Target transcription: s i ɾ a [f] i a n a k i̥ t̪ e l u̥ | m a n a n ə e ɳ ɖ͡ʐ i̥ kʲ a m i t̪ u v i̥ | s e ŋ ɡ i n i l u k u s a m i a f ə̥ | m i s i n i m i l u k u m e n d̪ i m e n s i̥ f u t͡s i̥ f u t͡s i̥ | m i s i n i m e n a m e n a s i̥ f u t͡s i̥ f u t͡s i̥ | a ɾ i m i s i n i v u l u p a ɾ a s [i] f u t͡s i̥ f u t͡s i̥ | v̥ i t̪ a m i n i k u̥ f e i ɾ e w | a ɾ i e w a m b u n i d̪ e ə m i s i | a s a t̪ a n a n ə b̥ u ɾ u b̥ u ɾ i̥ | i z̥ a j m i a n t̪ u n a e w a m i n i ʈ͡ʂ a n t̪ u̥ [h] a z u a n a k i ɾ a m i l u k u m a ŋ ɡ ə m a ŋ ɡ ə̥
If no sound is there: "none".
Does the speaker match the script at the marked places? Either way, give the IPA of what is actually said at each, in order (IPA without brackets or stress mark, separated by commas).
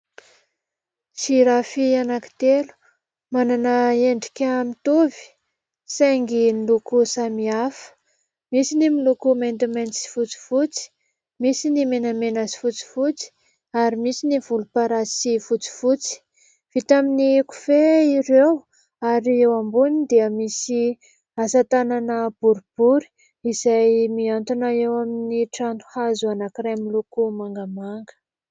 f, i, h